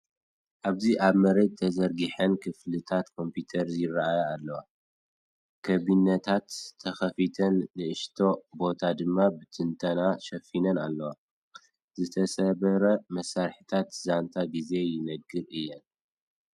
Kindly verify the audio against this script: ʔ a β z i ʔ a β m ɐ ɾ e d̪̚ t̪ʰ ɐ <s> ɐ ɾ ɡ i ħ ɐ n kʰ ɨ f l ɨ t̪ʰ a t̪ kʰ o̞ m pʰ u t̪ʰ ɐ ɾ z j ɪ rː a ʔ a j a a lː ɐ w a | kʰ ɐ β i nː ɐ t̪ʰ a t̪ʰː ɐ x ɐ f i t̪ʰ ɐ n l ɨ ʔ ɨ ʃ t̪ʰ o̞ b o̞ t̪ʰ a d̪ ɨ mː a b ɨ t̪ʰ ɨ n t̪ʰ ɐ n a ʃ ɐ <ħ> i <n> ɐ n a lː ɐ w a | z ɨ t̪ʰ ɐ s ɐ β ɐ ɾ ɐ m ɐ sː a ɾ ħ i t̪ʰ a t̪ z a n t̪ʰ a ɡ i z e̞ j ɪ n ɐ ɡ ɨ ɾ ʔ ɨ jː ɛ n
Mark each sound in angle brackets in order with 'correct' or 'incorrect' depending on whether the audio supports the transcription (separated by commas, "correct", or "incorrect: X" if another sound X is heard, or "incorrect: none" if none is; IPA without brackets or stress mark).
incorrect: z, incorrect: f, correct